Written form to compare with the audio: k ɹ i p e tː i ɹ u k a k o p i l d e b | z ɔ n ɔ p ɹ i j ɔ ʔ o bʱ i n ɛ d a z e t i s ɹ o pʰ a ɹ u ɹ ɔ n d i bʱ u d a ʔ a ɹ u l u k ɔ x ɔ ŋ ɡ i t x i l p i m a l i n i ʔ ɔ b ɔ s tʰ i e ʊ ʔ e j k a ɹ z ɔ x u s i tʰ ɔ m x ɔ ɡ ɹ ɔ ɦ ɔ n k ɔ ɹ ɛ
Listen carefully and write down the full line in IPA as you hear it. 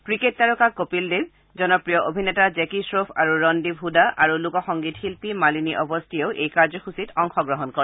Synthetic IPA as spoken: k ɹ i k e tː a ɹ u k a k o p i l d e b | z ɔ n ɔ p ɹ i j ɔ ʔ o bʱ i n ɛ t a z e k i s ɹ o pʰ a ɹ u ɹ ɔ n d i bʱ u d a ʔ a ɹ u l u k ɔ x ɔ ŋ ɡ i t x i l p i m a l i n i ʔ ɔ b ɔ s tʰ i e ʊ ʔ e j k a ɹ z ɔ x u s i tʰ ɔ ŋ x ɔ ɡ ɹ ɔ ɦ ɔ n k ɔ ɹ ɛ